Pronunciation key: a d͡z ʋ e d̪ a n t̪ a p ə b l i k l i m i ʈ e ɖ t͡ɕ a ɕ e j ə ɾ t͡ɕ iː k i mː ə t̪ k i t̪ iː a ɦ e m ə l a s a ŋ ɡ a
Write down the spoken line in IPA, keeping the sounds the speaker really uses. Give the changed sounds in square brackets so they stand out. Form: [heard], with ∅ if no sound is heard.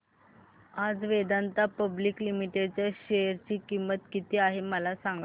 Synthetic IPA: a d͡z ʋ e d̪ a n t̪ a p ə b l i k l i m i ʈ e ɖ t͡ɕ a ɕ e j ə ɾ t͡ɕ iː k i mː ə t̪ k i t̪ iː a ɦ e m ə l a s a ŋ ɡ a